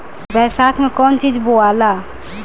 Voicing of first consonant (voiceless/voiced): voiced